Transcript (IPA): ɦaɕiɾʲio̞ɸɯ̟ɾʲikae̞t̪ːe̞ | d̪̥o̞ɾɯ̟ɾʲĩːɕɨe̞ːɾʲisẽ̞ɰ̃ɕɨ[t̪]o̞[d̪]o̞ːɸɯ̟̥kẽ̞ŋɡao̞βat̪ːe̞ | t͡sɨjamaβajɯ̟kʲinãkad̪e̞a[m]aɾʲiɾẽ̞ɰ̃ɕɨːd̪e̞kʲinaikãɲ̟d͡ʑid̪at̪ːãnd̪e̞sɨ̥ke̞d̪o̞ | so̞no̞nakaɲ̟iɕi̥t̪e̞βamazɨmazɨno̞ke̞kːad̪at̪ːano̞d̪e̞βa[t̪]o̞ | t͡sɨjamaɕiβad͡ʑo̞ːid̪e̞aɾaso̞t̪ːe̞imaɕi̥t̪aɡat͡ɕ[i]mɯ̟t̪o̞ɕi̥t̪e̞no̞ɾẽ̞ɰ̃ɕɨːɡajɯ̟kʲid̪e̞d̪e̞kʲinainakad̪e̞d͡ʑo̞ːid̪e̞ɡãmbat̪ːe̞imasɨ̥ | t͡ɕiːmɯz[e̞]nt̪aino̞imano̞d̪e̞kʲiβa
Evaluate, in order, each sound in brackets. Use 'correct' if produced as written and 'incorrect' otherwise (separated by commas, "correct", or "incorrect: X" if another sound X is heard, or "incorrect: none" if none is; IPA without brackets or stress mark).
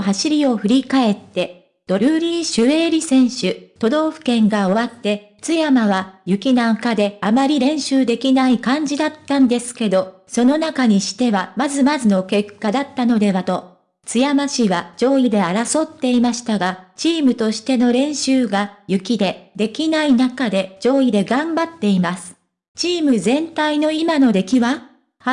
correct, correct, correct, correct, incorrect: iː, incorrect: ẽ̞